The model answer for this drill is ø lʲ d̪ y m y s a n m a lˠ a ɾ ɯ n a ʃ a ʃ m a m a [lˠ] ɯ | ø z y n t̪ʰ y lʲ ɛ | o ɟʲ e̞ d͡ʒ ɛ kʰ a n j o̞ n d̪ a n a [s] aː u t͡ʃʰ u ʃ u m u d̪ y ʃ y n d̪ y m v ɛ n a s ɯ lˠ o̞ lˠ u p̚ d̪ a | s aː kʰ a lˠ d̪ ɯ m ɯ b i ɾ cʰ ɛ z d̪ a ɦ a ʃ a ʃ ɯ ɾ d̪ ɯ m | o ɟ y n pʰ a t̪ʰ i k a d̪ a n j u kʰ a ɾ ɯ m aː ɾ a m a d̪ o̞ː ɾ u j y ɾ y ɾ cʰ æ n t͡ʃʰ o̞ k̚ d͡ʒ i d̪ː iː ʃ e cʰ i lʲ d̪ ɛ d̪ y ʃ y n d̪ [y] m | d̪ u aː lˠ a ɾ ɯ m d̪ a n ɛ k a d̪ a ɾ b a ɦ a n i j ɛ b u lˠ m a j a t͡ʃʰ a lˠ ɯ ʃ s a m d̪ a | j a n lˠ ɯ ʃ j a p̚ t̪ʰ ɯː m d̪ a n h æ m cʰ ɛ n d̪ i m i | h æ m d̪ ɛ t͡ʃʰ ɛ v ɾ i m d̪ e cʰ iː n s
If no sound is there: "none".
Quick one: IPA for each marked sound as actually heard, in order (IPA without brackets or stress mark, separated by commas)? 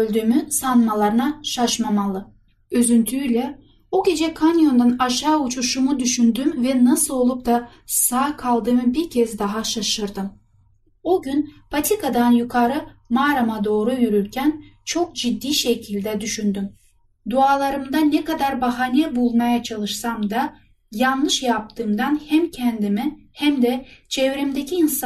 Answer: lˠ, ʃ, y